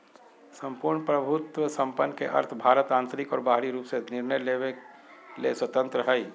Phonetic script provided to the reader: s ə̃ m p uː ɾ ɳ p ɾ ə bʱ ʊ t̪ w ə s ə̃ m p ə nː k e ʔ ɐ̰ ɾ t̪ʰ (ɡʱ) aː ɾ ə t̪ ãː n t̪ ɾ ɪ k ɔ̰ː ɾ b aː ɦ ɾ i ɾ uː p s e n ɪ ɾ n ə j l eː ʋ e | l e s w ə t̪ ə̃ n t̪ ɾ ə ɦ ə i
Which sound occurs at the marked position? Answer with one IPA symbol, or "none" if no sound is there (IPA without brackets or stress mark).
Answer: bʱ